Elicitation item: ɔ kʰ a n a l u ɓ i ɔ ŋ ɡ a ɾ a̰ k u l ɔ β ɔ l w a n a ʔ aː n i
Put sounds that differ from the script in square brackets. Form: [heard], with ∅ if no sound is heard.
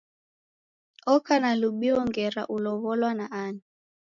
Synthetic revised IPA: ɔ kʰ a n a l u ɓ i ɔ ŋ ɡ [ɛ] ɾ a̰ [ʔ] u l ɔ β ɔ l w a n a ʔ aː n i